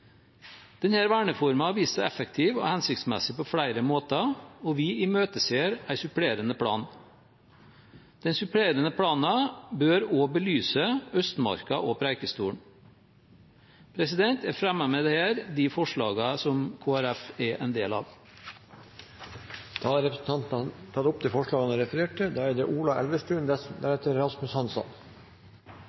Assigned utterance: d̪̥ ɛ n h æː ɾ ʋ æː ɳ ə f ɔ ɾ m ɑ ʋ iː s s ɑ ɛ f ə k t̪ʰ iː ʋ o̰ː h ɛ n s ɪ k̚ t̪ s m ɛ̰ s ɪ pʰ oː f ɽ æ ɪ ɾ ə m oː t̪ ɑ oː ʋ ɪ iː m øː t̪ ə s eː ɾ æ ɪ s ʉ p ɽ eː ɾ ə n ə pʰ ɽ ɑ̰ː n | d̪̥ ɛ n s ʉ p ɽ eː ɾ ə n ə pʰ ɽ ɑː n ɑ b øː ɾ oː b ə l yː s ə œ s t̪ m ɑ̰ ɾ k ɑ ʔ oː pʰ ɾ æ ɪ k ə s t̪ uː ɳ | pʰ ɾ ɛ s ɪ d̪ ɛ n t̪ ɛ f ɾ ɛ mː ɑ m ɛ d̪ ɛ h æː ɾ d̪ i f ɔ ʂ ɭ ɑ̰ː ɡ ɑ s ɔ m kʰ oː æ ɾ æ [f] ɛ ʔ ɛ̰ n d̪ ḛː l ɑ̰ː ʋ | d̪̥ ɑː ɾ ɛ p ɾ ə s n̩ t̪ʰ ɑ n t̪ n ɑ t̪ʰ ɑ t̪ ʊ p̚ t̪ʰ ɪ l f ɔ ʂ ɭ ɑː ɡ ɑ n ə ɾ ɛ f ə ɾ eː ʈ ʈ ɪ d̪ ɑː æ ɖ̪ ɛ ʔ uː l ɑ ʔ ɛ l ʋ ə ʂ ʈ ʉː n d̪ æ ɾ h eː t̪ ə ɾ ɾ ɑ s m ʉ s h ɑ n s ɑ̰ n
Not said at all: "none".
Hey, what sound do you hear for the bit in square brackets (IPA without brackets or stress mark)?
f